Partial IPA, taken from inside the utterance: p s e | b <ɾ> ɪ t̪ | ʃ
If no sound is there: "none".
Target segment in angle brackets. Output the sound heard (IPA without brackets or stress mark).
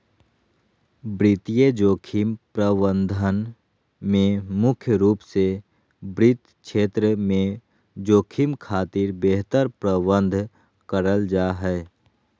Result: ɾ